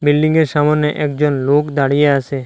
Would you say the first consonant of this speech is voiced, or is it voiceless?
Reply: voiced